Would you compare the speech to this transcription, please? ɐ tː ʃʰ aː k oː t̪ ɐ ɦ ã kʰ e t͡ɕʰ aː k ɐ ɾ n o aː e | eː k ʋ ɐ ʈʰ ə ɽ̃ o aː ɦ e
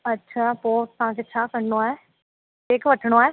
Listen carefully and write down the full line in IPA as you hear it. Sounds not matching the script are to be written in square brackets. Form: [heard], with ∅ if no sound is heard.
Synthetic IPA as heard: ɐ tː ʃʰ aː [p] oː t̪ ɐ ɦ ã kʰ e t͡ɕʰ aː k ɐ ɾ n o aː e | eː k ʋ ɐ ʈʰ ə ɽ̃ o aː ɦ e

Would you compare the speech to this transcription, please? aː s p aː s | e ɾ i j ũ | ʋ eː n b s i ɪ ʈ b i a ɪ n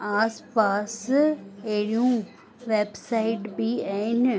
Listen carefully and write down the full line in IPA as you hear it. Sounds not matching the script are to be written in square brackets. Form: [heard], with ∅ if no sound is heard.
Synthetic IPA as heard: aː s p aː s | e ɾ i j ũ | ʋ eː [∅] b s [a] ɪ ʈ b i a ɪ n

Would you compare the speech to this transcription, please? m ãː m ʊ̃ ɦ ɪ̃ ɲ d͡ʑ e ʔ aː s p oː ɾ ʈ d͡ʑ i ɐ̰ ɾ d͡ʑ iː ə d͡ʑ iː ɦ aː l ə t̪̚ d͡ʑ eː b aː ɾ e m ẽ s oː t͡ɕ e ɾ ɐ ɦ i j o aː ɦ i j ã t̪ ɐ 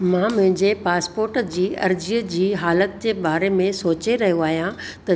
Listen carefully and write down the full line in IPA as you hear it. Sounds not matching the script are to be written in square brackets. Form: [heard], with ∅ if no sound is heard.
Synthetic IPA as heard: m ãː m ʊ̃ ɦ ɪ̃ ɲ d͡ʑ e [p] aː s p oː ɾ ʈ d͡ʑ [iː] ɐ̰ ɾ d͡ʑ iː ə d͡ʑ iː ɦ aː l ə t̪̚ d͡ʑ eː b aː ɾ e m ẽ s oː t͡ɕ e ɾ ɐ ɦ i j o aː ɦ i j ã t̪ ɐ

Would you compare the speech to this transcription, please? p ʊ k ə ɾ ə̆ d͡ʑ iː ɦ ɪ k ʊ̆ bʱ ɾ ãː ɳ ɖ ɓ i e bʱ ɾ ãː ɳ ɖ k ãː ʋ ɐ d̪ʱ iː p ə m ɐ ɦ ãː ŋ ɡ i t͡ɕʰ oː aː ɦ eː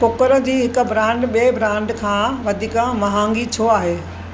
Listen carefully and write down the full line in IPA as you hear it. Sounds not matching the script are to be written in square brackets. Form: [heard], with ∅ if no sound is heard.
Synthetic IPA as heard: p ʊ k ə ɾ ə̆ d͡ʑ iː ɦ ɪ k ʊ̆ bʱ ɾ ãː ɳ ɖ ɓ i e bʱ ɾ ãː ɳ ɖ [kʰ] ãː ʋ ɐ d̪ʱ iː [k] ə m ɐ ɦ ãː ŋ ɡ i t͡ɕʰ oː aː ɦ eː

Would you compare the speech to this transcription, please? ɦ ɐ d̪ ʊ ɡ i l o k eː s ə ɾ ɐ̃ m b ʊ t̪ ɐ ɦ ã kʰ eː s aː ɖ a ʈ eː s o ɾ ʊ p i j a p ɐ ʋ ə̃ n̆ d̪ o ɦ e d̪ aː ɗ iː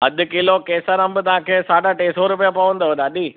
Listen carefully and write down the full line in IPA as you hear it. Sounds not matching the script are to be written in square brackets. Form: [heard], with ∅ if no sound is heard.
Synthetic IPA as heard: ɦ ɐ d̪ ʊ [k] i l o k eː s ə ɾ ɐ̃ m b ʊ t̪ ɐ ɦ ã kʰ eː s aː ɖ a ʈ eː s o ɾ ʊ p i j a p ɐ ʋ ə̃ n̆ d̪ o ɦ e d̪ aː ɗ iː

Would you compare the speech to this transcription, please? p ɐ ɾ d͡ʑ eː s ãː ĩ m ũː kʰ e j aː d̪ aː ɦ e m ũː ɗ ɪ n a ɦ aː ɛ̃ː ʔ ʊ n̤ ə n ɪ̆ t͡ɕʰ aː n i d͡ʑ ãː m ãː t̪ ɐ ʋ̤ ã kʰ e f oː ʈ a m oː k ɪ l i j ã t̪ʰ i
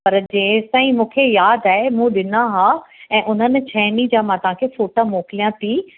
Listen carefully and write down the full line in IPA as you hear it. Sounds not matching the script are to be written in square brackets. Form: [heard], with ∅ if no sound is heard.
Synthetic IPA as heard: p ɐ ɾ d͡ʑ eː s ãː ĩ m ũː kʰ e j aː d̪ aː ɦ e m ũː ɗ ɪ n a ɦ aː ɛ̃ː ʔ ʊ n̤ ə n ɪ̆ t͡ɕʰ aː n i d͡ʑ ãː m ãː t̪ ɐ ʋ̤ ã kʰ e f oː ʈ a m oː k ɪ l i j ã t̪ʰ i

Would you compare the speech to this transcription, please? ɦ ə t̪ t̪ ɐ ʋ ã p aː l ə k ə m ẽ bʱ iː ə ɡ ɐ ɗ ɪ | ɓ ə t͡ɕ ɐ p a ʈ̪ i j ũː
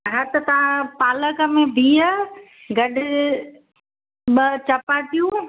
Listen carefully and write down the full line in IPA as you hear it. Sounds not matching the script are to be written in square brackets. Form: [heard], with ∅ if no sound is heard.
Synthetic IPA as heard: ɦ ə t̪ t̪ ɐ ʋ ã p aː l ə k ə m ẽ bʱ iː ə ɡ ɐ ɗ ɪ | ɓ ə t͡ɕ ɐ p a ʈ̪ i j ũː

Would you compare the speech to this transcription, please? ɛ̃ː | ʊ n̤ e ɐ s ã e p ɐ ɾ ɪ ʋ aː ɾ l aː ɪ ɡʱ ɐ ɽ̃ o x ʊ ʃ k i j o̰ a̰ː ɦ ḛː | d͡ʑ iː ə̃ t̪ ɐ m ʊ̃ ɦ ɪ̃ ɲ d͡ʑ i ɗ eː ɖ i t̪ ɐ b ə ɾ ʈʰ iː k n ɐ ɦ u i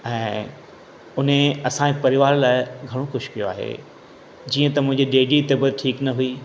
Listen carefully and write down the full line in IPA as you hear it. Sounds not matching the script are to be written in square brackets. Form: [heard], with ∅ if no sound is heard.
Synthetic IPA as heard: ɛ̃ː | ʊ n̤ e ɐ s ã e p ɐ ɾ ɪ ʋ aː ɾ l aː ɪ ɡʱ ɐ ɽ̃ o x ʊ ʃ k i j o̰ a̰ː ɦ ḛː | d͡ʑ iː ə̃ t̪ ɐ m ʊ̃ ɦ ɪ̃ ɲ d͡ʑ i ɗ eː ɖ i t̪ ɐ b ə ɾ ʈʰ iː k n ɐ ɦ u i

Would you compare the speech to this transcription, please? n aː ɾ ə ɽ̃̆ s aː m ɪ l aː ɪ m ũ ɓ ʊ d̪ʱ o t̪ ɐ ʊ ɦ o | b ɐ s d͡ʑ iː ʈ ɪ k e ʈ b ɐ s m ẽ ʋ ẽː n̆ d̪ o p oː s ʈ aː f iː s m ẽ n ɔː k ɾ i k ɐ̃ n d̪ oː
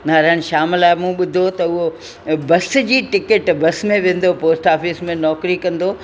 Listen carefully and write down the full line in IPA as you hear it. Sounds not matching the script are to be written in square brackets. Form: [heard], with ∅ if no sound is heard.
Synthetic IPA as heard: n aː ɾ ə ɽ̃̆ [ʃ] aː m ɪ l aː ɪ m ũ ɓ ʊ d̪ʱ o t̪ ɐ ʊ ɦ o | b ɐ s d͡ʑ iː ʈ ɪ k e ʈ b ɐ s m ẽ ʋ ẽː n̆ d̪ o p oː s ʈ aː f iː s m ẽ n ɔː k ɾ i k ɐ̃ n d̪ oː

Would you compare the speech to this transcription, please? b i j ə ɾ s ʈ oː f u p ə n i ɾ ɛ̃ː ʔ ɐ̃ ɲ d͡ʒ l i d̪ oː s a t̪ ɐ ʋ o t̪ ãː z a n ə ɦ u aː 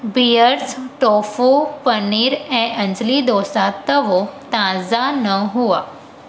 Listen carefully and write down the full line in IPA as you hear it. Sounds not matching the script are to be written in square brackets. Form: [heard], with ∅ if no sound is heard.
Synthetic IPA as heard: b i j ə ɾ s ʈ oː f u p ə n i ɾ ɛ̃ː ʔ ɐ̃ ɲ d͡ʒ l i d̪ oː s a t̪ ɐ ʋ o t̪ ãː z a n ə ɦ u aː

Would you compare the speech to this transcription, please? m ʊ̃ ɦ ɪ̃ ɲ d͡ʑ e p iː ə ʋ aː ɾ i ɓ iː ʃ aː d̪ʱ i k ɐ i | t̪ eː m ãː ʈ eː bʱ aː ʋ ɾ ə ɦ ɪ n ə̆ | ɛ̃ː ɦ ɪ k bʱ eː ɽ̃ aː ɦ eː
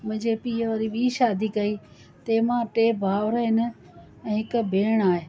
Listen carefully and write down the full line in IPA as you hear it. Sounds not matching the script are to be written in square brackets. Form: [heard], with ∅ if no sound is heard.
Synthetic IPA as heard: m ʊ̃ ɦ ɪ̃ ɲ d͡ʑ e p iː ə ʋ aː ɾ i ɓ iː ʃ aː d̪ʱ i k ɐ i | t̪ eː m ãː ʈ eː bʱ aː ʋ ɾ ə ɦ ɪ n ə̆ | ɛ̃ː ɦ ɪ k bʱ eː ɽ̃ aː ɦ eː

